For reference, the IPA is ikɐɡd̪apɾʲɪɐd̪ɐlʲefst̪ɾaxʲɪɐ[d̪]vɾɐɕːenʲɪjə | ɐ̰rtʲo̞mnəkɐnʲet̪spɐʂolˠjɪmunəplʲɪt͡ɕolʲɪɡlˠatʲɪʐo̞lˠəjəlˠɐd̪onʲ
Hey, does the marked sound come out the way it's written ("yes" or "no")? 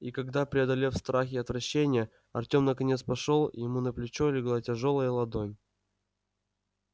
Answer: no